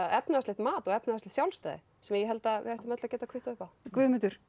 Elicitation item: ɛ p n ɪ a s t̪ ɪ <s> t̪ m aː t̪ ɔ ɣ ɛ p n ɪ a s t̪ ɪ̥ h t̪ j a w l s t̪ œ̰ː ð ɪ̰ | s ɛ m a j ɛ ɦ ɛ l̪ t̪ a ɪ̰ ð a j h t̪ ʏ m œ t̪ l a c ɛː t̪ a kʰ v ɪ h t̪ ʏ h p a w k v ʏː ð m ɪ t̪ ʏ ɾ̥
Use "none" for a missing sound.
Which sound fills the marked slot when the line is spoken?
h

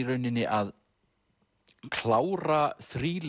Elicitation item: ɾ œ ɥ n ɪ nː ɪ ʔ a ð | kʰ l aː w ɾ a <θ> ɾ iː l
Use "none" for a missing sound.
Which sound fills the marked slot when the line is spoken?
θ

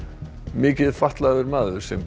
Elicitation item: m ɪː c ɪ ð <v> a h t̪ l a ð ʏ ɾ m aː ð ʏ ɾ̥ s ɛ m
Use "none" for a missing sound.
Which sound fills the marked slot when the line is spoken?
f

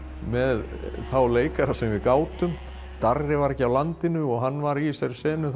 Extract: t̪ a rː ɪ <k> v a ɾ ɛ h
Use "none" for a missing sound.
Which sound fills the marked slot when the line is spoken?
none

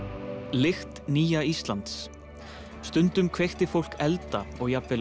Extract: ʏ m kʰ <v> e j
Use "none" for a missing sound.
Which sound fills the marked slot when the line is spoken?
v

